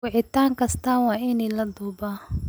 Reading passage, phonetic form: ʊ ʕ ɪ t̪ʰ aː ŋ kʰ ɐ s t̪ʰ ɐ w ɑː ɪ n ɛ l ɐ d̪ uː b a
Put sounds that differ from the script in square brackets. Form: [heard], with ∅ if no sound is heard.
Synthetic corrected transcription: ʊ ʕ ɪ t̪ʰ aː ŋ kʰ ɐ s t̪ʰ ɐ w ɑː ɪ n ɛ l ɐ d̪ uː b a